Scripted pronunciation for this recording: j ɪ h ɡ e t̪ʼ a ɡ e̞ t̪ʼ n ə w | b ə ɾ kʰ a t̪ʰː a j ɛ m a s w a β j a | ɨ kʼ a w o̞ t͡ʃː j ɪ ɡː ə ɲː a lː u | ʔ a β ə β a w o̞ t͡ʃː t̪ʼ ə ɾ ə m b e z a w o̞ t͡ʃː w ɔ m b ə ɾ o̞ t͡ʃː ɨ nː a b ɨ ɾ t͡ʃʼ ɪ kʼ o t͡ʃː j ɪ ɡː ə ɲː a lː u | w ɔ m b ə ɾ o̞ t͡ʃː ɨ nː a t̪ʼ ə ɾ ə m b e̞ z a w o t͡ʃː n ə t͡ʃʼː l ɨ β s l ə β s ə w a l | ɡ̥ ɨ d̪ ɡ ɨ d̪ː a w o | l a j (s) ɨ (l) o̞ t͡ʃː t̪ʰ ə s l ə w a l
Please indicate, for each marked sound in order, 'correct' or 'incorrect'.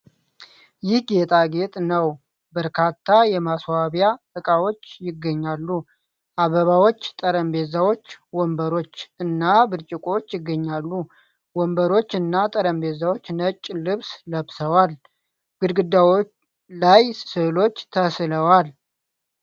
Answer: correct, correct

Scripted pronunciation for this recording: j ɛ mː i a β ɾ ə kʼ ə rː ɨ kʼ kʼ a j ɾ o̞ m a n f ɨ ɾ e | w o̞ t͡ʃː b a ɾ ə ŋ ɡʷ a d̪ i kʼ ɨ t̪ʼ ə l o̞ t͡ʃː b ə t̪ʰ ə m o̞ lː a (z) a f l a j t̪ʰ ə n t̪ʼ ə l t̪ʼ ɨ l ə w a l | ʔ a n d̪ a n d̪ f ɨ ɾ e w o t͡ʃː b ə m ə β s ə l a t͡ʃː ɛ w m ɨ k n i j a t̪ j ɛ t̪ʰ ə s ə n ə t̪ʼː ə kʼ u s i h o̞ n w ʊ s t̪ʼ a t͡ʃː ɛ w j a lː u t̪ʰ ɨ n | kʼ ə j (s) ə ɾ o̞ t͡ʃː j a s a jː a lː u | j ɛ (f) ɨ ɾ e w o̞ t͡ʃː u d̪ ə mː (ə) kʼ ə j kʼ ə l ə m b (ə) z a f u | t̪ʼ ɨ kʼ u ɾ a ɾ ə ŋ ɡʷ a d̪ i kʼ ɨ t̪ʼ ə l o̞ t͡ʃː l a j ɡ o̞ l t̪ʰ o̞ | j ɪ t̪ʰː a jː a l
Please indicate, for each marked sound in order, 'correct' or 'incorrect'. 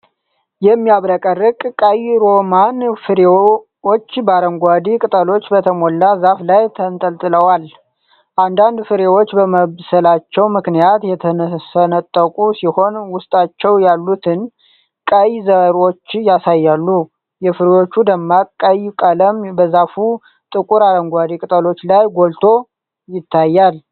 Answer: correct, incorrect, correct, incorrect, correct

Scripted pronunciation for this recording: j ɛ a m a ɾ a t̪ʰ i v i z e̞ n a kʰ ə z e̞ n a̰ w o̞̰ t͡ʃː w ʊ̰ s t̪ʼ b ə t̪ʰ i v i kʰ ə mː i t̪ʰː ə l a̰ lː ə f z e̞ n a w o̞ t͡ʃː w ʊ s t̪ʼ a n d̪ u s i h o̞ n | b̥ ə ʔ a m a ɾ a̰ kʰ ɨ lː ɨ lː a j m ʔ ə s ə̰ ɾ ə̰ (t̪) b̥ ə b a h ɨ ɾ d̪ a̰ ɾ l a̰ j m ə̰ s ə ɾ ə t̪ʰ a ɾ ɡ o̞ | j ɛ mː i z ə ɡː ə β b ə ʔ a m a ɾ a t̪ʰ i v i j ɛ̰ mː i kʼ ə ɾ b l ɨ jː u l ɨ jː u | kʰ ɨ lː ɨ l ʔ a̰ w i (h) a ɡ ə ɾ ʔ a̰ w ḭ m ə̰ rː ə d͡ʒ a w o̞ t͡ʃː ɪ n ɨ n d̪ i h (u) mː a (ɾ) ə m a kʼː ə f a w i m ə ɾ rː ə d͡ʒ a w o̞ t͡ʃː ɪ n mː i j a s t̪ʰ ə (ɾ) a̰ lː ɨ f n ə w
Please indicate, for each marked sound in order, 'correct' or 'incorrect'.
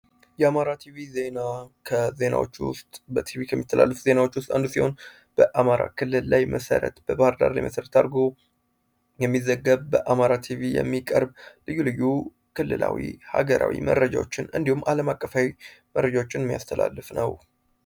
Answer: correct, correct, correct, incorrect, incorrect

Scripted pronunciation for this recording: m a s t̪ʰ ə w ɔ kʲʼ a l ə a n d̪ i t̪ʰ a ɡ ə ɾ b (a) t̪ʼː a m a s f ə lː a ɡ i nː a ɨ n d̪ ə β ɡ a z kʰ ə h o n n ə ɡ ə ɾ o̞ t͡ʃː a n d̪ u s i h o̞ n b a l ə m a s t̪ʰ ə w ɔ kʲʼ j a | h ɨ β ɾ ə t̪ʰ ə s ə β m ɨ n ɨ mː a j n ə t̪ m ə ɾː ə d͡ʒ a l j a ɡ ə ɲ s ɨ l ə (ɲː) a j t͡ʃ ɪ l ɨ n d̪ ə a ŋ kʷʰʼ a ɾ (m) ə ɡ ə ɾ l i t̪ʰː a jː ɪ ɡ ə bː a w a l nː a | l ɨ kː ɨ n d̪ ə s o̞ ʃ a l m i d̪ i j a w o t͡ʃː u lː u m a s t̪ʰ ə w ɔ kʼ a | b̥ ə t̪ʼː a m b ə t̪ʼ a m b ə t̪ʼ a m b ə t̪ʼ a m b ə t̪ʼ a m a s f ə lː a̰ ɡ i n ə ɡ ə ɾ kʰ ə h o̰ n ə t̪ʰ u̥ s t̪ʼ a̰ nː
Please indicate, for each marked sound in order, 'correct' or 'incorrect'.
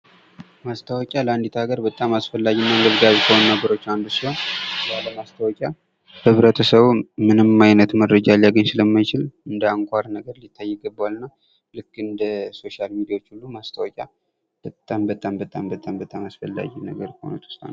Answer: incorrect, incorrect, incorrect

